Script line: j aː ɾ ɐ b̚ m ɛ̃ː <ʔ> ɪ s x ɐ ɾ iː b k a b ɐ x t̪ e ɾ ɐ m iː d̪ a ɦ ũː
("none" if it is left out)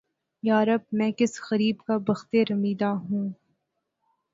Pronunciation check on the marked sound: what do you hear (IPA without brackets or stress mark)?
k